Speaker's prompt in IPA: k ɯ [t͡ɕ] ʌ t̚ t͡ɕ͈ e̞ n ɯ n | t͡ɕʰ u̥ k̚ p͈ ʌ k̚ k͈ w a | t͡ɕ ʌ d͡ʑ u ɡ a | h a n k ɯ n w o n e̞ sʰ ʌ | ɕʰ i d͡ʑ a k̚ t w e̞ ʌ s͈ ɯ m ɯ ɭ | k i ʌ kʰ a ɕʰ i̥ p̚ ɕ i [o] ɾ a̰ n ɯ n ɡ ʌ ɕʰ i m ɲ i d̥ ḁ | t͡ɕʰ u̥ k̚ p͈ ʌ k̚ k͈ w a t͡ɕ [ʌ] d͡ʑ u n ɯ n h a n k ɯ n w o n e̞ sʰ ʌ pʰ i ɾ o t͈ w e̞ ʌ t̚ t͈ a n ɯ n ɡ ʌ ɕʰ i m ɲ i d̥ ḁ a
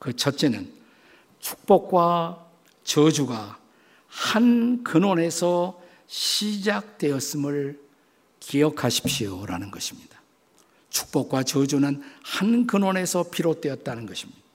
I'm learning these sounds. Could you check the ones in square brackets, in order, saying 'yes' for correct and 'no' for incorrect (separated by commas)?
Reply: no, yes, yes